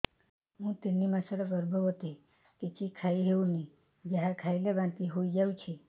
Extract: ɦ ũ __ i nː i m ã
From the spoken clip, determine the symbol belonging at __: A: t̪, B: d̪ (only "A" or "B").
A